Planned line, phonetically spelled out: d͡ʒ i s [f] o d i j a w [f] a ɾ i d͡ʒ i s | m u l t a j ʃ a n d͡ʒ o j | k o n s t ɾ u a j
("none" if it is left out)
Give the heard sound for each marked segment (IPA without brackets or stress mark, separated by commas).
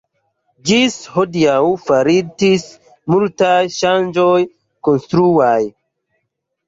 h, f